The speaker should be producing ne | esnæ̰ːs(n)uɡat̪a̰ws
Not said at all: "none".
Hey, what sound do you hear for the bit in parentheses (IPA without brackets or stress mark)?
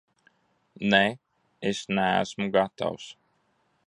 m